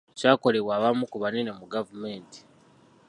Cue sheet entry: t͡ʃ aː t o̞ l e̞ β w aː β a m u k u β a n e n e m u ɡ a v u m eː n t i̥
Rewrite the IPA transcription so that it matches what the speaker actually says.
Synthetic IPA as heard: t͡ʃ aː k o̞ l e̞ β w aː β a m u k u β a n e n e m u ɡ a v u m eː n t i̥